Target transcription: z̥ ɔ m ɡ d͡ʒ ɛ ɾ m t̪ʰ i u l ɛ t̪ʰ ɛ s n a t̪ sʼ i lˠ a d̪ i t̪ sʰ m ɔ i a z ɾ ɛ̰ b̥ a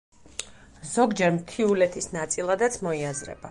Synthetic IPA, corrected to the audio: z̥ ɔ ɡ d͡ʒ ɛ ɾ m t̪ʰ i u l ɛ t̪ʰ i s n a t̪ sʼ i lˠ a d̪ a t̪ sʰ m ɔ i a z ɾ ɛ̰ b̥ a